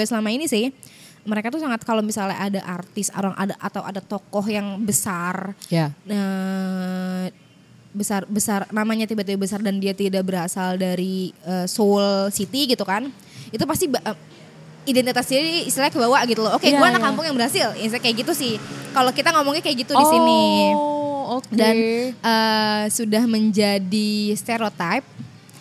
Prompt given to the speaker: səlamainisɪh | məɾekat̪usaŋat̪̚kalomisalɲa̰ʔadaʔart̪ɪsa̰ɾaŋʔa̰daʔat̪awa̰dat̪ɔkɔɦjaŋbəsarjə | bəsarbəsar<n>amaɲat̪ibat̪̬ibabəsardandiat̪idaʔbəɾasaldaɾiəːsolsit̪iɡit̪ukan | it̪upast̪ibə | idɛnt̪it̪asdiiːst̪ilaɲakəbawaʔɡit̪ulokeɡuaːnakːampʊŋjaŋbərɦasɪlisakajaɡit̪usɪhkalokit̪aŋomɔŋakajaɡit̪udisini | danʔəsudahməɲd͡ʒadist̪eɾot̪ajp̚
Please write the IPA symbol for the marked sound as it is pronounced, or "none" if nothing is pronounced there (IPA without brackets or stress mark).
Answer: n